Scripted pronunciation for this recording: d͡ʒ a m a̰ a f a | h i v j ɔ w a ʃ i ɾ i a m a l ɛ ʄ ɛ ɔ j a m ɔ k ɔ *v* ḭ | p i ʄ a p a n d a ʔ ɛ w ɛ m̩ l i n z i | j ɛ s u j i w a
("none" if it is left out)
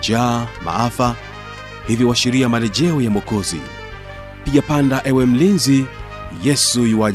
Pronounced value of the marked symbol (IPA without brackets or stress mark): z